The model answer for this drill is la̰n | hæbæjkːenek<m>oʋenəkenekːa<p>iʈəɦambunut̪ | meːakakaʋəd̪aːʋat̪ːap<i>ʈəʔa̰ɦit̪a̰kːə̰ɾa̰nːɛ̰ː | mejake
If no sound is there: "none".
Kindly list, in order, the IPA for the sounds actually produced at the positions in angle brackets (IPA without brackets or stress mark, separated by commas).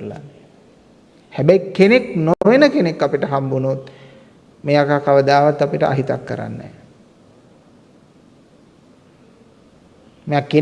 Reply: n, p, i